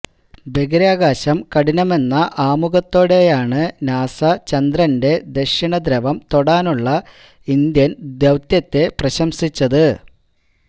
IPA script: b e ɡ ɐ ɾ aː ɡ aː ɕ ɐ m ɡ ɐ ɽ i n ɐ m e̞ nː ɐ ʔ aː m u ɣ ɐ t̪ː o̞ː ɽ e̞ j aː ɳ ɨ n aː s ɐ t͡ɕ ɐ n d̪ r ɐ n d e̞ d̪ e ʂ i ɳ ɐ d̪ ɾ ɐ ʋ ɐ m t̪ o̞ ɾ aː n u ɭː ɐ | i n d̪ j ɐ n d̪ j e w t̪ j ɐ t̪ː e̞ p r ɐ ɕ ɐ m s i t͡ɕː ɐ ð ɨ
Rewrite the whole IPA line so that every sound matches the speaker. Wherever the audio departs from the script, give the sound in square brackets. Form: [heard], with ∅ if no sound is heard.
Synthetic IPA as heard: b e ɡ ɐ ɾ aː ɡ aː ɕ ɐ m [k] ɐ ɽ i n ɐ m e̞ nː ɐ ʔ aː m u ɣ ɐ t̪ː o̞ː ɽ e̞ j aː ɳ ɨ n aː s ɐ t͡ɕ ɐ n d̪ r ɐ n d e̞ d̪ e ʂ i ɳ ɐ d̪ ɾ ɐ ʋ ɐ m t̪ o̞ [ɽ] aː n u ɭː ɐ | i n d̪ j ɐ n d̪ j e w t̪ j ɐ t̪ː e̞ p r ɐ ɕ ɐ m s i t͡ɕː ɐ ð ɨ